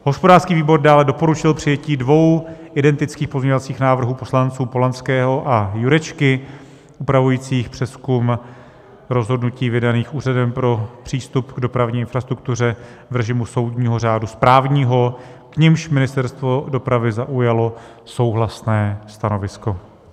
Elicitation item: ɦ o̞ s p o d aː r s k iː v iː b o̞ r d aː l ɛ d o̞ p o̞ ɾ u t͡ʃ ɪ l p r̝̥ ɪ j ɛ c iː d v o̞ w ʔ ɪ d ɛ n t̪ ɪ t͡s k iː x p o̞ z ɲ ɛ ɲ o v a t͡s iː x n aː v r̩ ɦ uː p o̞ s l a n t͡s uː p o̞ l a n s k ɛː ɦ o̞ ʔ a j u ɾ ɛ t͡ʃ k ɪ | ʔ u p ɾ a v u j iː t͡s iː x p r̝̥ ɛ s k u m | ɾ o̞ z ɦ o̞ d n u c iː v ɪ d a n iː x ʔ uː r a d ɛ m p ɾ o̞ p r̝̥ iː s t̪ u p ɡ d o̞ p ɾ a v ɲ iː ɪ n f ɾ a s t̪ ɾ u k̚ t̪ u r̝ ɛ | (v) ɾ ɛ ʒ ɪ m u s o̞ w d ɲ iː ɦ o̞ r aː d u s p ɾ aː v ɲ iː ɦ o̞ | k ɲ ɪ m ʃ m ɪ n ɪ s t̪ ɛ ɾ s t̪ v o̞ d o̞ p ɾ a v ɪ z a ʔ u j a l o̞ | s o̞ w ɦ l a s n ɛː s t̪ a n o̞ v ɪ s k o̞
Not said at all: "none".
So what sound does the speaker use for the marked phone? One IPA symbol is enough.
v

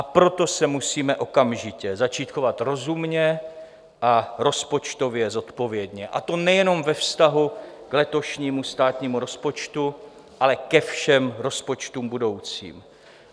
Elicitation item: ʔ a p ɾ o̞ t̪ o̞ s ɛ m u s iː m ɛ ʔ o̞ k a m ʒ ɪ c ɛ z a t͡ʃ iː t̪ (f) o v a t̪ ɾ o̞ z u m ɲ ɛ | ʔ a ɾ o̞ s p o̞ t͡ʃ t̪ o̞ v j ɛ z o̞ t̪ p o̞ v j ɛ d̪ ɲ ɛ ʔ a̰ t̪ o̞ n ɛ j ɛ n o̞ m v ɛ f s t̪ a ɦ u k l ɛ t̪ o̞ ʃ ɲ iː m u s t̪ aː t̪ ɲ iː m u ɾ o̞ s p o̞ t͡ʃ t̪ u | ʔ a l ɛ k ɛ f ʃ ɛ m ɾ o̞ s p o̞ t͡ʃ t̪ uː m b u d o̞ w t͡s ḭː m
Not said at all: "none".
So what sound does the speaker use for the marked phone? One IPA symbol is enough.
x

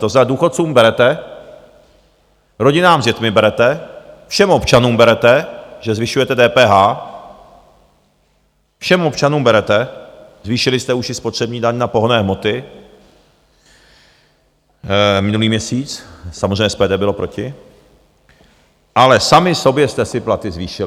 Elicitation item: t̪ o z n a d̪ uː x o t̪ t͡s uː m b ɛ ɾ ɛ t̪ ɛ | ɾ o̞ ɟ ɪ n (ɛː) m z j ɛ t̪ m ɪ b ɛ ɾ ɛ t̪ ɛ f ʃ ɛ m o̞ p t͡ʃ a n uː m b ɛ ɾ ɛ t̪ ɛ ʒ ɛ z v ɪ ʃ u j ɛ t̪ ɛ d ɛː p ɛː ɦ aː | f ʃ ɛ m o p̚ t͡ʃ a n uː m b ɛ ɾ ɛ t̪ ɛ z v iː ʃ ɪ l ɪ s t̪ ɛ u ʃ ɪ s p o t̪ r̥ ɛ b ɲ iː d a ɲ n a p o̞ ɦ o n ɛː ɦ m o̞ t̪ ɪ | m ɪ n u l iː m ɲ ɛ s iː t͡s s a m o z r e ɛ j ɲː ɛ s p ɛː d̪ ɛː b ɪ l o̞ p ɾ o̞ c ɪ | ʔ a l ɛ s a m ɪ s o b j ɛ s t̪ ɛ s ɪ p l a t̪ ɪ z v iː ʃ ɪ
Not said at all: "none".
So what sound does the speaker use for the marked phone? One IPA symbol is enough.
aː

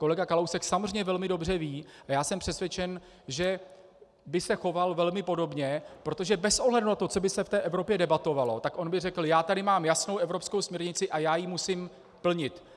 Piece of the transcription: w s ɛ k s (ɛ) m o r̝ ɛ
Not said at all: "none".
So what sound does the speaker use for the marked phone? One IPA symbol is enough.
a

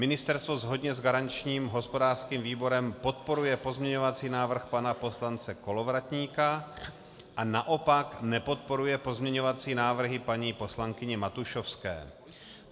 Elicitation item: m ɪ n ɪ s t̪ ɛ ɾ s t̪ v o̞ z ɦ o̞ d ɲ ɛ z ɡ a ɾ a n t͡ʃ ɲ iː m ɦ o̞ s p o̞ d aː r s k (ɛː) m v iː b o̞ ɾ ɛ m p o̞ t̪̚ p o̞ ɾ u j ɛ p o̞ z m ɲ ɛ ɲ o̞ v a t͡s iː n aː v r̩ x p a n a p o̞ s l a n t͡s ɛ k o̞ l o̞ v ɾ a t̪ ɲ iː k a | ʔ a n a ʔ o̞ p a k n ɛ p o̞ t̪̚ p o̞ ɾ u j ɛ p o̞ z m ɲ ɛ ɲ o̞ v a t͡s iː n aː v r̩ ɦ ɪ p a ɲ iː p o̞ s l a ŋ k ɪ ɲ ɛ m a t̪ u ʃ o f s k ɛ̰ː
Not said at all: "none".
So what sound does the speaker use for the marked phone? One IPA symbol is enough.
iː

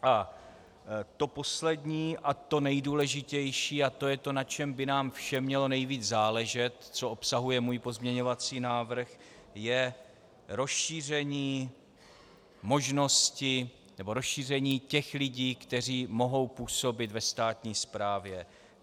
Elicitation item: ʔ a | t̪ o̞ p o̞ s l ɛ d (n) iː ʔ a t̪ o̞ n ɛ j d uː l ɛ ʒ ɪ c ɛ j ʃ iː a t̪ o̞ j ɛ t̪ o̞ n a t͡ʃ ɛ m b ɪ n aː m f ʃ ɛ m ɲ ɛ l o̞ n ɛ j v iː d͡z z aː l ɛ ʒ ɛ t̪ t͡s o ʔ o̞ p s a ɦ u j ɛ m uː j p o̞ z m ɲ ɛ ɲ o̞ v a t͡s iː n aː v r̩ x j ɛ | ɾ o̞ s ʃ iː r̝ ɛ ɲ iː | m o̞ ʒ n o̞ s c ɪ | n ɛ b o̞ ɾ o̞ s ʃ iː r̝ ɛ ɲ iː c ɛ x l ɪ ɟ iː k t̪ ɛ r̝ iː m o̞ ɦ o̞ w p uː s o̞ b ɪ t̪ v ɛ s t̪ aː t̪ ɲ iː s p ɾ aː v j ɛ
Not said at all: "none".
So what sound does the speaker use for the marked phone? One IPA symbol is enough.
ɲ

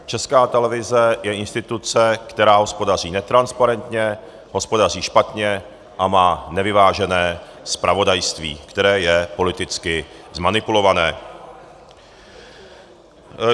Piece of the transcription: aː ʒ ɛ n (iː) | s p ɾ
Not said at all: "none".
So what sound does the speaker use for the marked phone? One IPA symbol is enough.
ɛː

